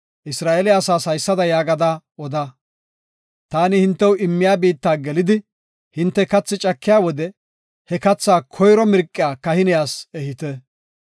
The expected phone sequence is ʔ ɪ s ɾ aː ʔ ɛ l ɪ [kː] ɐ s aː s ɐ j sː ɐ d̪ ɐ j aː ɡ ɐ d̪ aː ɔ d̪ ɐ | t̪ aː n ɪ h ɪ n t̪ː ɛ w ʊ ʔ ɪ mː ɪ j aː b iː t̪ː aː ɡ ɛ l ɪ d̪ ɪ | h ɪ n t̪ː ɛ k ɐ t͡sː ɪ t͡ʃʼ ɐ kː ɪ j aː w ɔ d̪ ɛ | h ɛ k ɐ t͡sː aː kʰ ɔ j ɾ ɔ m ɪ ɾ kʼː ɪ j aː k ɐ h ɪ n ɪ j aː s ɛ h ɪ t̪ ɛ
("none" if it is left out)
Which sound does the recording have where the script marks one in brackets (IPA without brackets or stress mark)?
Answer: none